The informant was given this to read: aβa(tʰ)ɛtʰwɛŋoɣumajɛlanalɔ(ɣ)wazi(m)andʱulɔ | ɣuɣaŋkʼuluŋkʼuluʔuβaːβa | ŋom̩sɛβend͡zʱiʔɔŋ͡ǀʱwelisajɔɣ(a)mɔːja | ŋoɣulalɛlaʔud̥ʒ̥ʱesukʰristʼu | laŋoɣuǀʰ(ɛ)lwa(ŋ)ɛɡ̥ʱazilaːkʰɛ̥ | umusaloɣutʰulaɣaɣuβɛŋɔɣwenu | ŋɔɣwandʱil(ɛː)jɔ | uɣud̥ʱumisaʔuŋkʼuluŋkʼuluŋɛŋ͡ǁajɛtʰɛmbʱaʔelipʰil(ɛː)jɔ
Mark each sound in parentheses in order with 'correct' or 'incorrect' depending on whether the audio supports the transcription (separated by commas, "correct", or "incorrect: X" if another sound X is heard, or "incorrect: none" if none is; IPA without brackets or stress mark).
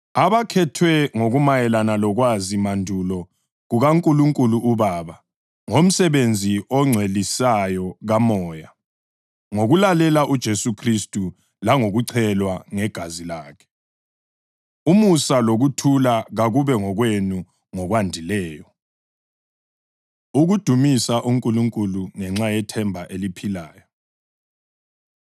incorrect: kʰ, correct, correct, correct, correct, correct, correct, incorrect: aː